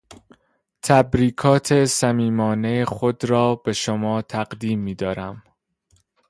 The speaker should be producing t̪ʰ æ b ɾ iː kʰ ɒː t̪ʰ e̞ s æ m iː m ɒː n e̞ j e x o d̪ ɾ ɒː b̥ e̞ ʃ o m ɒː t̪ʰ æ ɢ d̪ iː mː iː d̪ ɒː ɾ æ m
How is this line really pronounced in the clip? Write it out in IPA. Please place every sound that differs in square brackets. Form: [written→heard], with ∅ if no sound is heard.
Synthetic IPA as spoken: t̪ʰ æ b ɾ iː kʰ ɒː t̪ʰ e̞ s æ m iː m ɒː n e̞ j e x o d̪ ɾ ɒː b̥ e̞ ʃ o m ɒː t̪ʰ æ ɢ d̪ iː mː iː d̪ ɒː ɾ æ m